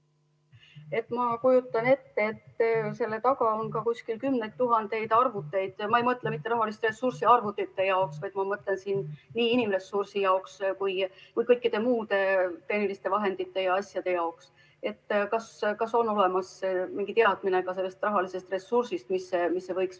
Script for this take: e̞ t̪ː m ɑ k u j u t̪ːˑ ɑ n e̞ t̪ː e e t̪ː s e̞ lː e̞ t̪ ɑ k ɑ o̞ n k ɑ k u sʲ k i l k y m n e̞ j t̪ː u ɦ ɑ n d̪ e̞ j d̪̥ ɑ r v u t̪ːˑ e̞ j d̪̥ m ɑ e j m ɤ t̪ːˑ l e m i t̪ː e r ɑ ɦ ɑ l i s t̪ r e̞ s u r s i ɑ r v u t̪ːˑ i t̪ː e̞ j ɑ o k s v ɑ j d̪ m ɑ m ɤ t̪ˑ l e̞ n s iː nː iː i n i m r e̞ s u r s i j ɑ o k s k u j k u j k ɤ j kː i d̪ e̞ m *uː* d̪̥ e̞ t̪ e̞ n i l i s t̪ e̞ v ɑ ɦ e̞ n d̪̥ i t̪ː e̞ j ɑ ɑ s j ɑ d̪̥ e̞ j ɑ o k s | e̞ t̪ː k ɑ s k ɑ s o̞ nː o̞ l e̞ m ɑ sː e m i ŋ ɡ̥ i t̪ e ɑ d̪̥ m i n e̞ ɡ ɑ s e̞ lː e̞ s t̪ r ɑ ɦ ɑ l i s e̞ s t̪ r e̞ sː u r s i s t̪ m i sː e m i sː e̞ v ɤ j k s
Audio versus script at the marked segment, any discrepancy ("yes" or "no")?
no